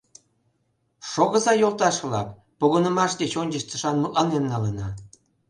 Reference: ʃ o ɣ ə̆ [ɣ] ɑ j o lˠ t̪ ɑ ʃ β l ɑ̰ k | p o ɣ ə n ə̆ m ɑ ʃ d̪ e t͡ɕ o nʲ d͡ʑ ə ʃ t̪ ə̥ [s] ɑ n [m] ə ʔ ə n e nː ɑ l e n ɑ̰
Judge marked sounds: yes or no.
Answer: no, no, yes

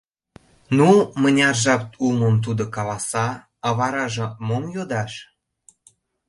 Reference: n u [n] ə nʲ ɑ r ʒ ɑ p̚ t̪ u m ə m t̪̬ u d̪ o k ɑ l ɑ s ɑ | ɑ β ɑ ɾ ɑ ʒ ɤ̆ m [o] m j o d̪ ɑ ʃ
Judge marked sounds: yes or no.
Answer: no, yes

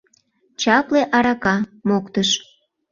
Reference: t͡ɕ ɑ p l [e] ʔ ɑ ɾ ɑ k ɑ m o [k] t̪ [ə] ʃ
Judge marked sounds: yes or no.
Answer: yes, yes, yes

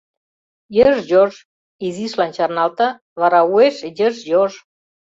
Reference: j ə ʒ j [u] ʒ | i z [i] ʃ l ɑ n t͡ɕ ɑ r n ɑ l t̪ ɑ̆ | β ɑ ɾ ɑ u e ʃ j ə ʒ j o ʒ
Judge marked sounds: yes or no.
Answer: no, yes

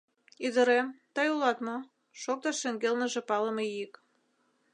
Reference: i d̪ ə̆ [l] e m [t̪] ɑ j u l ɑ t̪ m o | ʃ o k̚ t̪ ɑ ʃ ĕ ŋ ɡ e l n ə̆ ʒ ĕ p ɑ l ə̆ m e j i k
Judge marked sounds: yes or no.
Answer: no, yes

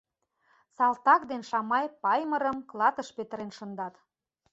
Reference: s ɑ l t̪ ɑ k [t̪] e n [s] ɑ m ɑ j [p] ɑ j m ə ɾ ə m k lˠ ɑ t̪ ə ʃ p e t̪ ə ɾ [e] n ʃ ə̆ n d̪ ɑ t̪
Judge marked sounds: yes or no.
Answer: no, no, yes, yes

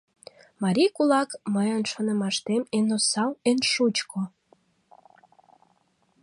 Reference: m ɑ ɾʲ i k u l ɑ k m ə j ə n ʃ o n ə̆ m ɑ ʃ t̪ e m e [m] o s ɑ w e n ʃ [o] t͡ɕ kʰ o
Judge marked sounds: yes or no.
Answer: no, no

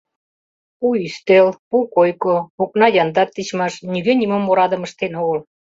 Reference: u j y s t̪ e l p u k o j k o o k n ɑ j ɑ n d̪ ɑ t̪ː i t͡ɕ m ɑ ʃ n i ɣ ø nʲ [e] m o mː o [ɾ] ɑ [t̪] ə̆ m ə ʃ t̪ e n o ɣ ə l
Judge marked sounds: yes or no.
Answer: no, yes, no

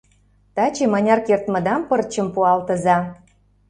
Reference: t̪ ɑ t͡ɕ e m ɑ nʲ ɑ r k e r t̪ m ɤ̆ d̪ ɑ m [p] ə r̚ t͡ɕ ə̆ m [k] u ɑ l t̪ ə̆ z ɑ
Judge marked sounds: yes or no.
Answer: yes, no

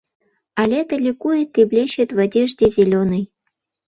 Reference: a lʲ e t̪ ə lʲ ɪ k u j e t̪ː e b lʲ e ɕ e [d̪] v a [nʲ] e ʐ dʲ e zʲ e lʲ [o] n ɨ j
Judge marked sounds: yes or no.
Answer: no, no, yes

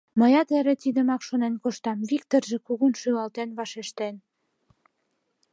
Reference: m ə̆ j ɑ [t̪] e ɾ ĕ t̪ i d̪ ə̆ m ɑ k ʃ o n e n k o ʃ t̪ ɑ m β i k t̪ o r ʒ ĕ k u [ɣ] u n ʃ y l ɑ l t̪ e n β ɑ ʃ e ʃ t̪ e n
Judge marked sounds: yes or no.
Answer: yes, yes

